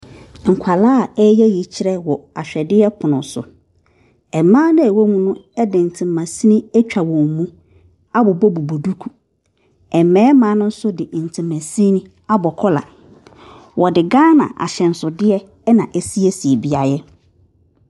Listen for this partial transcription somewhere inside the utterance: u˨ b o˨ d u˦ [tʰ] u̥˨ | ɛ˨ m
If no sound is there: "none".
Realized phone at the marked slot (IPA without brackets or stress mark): kʰ